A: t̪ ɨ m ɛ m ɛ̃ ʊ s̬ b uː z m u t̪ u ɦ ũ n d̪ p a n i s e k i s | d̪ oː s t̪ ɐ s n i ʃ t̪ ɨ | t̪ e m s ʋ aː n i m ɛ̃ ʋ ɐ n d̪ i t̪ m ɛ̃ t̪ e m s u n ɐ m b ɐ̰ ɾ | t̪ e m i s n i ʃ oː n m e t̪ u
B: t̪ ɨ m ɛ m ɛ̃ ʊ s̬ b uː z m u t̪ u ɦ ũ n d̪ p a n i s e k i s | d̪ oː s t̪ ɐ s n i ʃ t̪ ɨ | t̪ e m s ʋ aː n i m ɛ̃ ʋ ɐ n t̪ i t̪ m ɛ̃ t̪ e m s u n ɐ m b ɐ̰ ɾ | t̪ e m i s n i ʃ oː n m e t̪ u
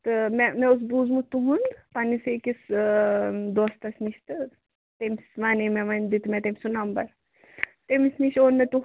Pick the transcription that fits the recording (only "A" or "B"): A